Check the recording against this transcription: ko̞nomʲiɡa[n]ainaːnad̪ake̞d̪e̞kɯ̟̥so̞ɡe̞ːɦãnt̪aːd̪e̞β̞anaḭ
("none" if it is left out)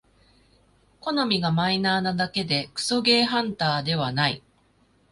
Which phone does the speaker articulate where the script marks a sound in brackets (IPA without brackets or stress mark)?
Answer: m